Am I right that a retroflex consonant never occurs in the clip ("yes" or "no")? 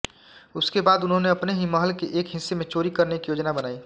yes